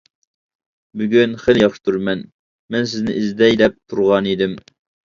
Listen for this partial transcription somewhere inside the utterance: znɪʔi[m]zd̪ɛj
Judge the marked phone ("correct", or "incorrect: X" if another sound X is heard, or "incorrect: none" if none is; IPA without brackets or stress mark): incorrect: none